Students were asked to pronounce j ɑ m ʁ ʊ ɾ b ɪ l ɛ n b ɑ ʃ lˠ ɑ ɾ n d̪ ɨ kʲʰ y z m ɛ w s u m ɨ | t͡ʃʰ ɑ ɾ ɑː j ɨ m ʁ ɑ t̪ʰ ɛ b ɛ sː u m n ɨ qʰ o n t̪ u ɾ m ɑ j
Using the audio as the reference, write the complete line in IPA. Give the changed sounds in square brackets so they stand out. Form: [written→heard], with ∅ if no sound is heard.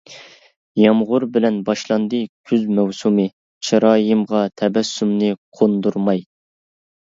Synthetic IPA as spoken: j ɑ m ʁ ʊ ɾ b ɪ l ɛ n b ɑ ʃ lˠ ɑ [ɾ→∅] n d̪ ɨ kʲʰ y z m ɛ w s u m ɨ | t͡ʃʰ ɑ ɾ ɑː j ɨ m ʁ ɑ t̪ʰ ɛ b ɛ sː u m n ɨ qʰ o n [t̪→d̪] u ɾ m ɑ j